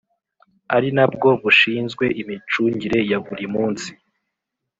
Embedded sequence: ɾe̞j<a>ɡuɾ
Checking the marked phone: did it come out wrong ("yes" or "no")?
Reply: no